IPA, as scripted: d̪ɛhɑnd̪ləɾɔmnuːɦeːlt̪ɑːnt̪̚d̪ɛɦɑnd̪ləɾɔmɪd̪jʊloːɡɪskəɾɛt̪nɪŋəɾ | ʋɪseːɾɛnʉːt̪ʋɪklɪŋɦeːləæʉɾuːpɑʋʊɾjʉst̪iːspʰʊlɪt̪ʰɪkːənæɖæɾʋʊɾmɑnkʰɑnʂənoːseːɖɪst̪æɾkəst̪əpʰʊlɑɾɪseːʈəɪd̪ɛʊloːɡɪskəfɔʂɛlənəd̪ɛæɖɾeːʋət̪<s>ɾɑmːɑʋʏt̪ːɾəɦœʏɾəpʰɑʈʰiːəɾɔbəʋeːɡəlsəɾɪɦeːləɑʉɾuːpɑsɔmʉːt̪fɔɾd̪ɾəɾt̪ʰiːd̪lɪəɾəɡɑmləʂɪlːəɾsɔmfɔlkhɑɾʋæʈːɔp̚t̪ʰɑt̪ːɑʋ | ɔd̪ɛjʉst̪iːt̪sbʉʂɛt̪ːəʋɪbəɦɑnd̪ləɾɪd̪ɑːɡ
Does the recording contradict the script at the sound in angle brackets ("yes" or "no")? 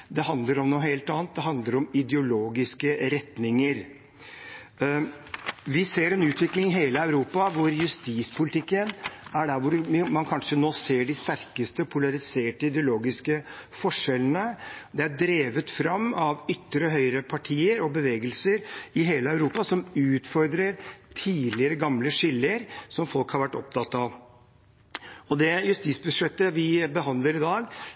yes